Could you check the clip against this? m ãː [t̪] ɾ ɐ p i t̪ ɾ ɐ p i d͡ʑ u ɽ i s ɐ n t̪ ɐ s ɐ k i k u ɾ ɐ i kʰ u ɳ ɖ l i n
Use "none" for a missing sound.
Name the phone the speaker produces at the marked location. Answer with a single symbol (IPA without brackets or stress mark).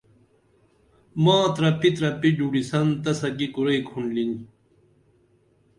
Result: t̪